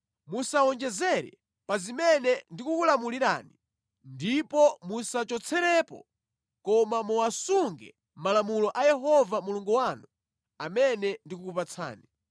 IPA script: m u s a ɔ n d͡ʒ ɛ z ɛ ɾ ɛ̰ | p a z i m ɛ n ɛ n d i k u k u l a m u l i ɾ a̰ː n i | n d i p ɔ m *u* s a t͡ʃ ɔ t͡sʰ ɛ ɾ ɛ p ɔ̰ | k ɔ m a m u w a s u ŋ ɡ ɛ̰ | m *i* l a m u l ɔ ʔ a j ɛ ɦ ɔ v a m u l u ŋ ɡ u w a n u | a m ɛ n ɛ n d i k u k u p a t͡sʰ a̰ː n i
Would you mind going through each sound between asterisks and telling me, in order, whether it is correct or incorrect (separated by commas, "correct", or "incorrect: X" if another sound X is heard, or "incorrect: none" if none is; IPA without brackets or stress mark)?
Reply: correct, incorrect: a